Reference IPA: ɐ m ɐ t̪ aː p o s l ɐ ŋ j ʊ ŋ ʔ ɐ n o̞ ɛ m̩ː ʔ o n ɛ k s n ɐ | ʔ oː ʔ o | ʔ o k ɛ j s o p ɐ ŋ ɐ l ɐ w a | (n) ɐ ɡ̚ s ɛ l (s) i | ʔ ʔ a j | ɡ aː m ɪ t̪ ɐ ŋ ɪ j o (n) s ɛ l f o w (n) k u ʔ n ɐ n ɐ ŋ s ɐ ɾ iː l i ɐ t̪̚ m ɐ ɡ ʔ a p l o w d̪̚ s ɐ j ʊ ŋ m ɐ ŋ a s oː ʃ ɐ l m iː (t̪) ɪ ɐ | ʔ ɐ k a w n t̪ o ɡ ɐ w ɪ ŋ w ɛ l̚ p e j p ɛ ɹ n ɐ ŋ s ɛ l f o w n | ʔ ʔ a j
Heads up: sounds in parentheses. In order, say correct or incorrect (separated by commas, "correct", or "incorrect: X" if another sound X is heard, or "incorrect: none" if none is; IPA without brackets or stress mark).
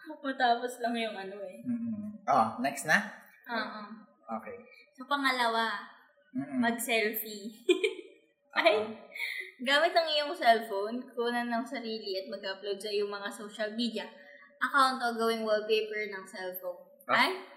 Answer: incorrect: m, incorrect: f, incorrect: ŋ, correct, incorrect: d̪